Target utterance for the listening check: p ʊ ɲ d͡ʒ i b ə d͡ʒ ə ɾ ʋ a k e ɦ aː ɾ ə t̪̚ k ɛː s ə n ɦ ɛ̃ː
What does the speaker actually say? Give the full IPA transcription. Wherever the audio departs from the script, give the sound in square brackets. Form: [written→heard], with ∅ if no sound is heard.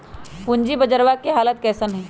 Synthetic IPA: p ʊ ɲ d͡ʒ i b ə d͡ʒ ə ɾ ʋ a k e ɦ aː [ɾ→l] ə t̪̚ k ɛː s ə n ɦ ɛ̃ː